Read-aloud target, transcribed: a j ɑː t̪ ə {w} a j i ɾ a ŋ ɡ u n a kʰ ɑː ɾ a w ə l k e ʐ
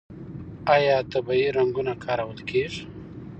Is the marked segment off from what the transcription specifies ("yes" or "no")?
yes